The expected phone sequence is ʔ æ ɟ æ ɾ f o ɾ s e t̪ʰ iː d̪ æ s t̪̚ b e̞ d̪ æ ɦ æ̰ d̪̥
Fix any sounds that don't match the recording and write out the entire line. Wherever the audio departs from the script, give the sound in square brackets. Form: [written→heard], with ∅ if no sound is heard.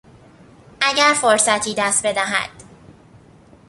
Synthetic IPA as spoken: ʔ æ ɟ æ ɾ f o ɾ s [e→æ] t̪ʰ iː d̪ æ s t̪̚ b e̞ d̪ æ ɦ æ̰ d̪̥